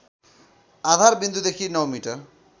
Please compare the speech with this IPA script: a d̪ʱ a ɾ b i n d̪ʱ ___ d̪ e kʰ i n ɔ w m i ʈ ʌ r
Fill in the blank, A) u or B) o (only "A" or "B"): A